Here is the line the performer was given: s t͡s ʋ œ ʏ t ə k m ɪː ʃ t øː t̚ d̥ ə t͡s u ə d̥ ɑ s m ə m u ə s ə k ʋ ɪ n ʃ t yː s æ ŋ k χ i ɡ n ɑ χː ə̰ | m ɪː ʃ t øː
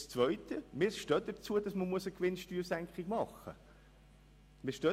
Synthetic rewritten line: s t͡s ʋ œ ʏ t ə m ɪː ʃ t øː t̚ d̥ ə t͡s u ə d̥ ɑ s m ə m u ə s ə k ʋ ɪ n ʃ t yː s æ ŋ k χ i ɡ m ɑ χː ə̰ | m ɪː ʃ t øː